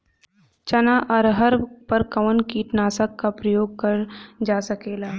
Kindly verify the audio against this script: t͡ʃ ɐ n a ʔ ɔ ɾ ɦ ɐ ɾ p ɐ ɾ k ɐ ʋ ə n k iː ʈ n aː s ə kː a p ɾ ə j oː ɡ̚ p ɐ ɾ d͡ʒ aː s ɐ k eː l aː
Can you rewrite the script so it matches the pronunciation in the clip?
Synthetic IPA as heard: t͡ʃ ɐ n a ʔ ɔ ɾ ɦ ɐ ɾ p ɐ ɾ k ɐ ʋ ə n k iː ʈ n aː s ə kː a p ɾ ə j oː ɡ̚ k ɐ ɾ d͡ʒ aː s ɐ k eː l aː